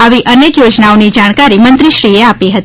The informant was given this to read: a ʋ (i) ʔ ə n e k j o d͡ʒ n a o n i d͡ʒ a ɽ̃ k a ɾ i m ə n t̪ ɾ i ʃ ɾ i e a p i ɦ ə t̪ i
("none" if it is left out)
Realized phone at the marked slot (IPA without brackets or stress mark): i